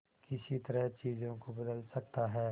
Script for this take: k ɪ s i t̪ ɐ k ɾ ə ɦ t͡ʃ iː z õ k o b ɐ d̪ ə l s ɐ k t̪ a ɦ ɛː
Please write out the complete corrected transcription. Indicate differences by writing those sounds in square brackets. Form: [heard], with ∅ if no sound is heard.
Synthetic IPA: k ɪ s i t̪ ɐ [∅] ɾ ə ɦ t͡ʃ iː z õ k o b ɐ d̪ ə l s ɐ k t̪ a ɦ ɛː